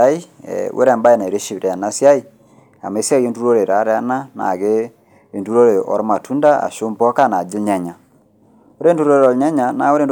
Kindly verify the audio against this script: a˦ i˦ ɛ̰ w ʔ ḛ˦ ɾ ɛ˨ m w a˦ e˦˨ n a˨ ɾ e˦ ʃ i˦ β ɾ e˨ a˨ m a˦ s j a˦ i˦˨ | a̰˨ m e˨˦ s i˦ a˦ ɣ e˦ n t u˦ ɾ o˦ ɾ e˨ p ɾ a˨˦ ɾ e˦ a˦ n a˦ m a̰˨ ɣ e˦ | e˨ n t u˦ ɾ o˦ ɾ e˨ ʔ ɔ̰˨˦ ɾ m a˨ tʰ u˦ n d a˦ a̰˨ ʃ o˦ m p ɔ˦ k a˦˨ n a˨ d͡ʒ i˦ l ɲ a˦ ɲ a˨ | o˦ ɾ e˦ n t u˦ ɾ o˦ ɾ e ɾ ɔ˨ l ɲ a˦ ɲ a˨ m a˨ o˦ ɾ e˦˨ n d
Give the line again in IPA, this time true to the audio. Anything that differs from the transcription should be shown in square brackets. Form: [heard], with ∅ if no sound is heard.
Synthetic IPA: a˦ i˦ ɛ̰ w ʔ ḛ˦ ɾ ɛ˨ m [b] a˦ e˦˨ n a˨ ɾ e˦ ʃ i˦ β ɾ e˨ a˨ [n] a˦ s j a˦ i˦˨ | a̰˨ m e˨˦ s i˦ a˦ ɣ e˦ n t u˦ ɾ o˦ ɾ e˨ [∅] ɾ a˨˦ ɾ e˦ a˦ n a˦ [n] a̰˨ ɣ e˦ | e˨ n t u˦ ɾ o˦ ɾ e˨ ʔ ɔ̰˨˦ ɾ m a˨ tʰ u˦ n d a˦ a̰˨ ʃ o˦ m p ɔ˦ k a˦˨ n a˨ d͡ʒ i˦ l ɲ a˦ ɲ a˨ | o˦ ɾ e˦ n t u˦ ɾ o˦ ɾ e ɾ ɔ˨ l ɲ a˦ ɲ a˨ [n] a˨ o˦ ɾ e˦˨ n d